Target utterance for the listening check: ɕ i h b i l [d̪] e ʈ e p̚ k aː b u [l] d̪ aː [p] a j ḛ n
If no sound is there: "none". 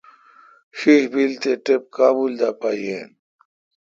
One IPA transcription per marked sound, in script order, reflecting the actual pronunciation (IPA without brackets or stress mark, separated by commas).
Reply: t̪, l, p